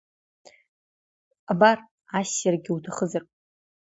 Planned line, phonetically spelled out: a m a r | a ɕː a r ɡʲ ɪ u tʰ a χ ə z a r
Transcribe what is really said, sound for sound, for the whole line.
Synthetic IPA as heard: a b a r | a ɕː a r ɡʲ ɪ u tʰ a χ ə z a r